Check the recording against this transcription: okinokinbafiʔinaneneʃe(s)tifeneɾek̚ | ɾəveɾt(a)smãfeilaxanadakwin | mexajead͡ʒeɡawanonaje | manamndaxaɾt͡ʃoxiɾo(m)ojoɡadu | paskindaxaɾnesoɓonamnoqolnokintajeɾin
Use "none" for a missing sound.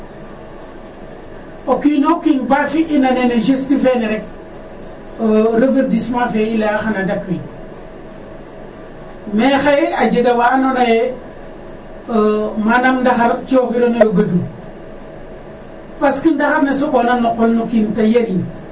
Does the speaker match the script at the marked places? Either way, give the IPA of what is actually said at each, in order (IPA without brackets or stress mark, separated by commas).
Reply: s, i, n